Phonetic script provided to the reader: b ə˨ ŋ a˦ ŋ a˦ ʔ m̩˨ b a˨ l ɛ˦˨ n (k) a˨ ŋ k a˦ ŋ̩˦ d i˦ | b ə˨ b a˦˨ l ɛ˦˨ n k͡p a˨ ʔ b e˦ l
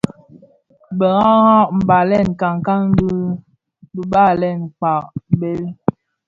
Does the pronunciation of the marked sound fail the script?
no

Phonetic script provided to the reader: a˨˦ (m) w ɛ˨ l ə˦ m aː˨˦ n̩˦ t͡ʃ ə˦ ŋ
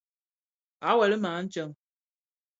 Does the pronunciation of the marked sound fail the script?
yes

